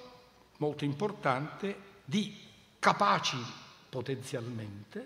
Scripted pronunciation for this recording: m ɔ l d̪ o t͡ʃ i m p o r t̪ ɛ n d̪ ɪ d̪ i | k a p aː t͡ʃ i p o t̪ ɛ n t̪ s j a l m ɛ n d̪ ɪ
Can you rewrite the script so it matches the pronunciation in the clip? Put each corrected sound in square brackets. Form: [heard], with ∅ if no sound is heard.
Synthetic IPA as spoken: m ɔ l [t̪] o [∅] i m p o r t̪ [a] n [t̪] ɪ d̪ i | k a p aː t͡ʃ i p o t̪ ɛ n t̪ s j a l m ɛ n [t̪] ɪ